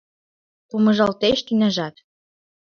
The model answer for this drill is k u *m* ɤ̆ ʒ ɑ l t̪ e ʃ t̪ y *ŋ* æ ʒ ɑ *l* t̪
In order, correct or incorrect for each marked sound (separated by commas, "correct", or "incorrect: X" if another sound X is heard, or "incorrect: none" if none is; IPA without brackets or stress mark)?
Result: correct, incorrect: n, incorrect: none